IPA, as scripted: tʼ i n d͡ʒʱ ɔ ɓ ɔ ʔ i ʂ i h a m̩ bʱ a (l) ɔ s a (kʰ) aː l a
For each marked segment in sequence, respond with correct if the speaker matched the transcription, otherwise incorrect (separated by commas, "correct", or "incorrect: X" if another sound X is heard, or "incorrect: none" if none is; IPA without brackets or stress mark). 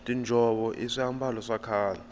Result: correct, correct